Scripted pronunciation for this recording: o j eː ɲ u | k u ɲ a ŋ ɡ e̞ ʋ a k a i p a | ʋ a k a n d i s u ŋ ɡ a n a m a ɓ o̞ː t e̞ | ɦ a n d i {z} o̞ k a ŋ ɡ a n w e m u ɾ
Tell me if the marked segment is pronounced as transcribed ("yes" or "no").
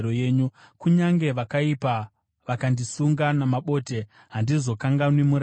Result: yes